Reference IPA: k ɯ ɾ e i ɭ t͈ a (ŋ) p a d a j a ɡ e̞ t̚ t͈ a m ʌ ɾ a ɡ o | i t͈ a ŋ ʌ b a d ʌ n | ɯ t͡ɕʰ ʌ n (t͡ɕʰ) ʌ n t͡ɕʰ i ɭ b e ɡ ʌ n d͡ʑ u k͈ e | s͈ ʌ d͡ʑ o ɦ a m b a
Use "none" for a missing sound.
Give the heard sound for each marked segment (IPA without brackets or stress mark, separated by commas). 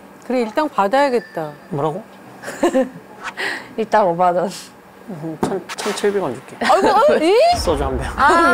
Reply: ŋ, t͡ɕʰ